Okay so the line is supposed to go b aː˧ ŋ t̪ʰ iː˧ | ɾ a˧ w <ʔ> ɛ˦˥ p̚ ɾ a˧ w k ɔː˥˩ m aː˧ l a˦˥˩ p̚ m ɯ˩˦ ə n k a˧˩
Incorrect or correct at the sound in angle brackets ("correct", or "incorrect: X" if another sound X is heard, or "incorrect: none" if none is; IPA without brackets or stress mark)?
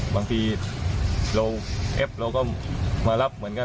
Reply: correct